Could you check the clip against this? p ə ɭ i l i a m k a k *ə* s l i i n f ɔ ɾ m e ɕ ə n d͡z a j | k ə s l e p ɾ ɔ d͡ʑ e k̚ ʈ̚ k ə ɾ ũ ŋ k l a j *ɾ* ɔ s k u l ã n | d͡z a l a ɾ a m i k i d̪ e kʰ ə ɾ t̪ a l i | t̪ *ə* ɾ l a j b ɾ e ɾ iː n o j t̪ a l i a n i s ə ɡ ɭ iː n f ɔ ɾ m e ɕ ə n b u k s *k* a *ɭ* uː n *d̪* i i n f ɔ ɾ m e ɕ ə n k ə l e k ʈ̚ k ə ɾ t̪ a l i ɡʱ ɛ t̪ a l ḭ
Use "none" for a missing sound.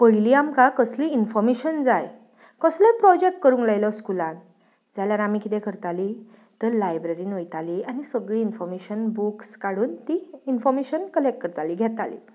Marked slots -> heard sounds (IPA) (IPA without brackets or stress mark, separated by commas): ə, l, ə, k, ɽ, t̪